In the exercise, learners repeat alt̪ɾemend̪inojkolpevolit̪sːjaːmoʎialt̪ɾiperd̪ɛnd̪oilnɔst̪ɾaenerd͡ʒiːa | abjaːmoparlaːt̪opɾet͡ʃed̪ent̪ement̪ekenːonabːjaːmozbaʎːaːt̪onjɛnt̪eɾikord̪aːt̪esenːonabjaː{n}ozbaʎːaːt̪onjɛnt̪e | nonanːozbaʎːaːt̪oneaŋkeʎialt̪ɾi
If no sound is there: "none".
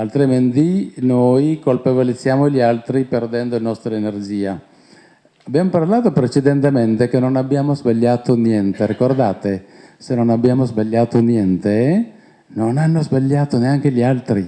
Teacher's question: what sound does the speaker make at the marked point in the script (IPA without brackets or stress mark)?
m